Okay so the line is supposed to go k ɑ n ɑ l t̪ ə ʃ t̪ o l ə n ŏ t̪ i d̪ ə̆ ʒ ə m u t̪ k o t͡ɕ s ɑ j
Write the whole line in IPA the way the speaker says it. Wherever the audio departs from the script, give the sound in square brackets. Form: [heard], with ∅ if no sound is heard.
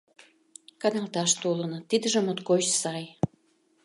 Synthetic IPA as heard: k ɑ n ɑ l t̪ [ɑ] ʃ t̪ o l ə n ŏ t̪ i d̪ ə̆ ʒ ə m [o] t̪ k o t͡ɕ s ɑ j